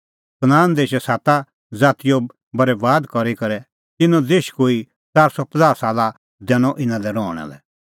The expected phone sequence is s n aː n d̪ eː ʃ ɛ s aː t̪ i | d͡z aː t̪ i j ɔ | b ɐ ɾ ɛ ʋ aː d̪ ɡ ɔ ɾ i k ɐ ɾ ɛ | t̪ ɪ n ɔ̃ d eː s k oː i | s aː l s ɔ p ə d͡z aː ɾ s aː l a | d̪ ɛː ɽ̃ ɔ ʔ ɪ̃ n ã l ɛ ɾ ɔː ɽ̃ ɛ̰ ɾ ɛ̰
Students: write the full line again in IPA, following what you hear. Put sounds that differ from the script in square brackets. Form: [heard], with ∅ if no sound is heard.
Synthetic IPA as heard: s n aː n d̪ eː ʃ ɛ s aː t̪ [a] | d͡z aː t̪ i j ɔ | b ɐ ɾ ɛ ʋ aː d̪ [k] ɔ ɾ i k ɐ ɾ ɛ | t̪ ɪ n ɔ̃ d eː [ʃ] k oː i | [t͡s] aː [ɾ] s ɔ p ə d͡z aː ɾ s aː l a | d̪ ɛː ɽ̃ ɔ ʔ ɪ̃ n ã l ɛ ɾ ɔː ɽ̃ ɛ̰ [l] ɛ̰